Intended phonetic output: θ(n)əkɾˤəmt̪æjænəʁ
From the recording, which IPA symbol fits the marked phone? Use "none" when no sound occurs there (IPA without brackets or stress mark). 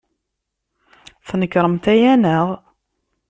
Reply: n